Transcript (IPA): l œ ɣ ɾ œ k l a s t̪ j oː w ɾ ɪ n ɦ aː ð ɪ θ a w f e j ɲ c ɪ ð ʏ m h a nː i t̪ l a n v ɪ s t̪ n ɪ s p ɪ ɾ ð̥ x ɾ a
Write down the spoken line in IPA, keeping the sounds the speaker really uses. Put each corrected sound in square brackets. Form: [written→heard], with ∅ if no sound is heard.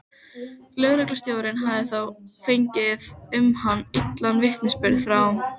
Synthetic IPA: l œ ɣ ɾ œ k l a s t̪ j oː w ɾ ɪ n ɦ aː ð ɪ θ a w f e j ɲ c ɪ ð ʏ m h a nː i t̪ l a n v ɪ [s→h] t̪ n ɪ s p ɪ ɾ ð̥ [x→f] ɾ a